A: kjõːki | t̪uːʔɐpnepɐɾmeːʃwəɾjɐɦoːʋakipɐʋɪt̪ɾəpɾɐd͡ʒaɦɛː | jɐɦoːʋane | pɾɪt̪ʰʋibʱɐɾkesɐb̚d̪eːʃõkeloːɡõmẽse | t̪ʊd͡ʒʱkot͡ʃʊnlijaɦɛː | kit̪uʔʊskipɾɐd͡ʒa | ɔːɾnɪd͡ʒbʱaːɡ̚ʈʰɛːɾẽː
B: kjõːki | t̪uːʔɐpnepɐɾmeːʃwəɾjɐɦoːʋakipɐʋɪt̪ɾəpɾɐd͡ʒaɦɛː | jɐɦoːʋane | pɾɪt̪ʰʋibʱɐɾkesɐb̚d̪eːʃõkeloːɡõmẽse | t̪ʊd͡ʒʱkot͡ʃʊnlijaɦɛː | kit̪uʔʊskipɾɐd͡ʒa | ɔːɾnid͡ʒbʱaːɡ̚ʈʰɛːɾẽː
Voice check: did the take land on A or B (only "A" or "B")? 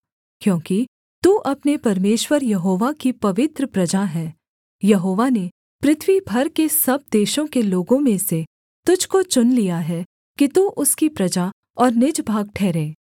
A